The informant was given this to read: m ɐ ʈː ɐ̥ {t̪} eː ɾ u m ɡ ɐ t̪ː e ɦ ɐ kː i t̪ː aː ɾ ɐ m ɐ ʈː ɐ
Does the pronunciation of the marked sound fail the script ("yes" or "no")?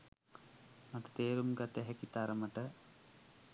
no